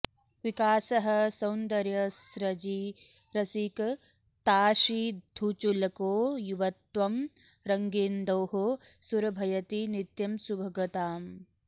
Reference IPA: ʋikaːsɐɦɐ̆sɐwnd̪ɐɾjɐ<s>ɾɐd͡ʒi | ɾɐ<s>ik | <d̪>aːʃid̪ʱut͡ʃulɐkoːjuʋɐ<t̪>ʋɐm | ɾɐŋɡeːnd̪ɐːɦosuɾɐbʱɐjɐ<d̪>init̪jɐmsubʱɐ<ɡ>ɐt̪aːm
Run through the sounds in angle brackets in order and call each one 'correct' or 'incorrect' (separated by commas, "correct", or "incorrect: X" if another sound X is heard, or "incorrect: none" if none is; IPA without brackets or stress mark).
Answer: correct, correct, incorrect: t̪, correct, incorrect: t̪, correct